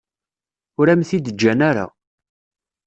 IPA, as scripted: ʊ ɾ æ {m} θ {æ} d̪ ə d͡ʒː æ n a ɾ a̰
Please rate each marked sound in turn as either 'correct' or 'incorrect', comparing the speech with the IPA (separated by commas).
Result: correct, incorrect